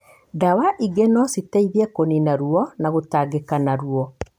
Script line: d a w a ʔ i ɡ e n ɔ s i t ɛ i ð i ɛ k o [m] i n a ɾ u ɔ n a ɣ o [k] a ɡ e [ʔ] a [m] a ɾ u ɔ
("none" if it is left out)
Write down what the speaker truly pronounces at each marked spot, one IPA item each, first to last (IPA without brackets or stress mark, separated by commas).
n, t, k, n